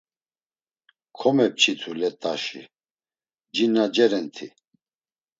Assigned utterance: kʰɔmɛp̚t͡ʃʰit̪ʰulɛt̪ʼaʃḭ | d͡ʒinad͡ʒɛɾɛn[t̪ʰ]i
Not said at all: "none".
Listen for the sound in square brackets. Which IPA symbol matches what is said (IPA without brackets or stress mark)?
t̪ʰ